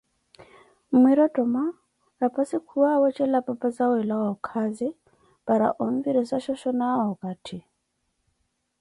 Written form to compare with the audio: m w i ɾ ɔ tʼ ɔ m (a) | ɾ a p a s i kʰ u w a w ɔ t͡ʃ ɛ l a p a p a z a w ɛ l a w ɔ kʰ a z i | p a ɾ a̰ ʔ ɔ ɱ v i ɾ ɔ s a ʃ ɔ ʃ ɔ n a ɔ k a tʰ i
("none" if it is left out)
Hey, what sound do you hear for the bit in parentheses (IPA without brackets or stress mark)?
a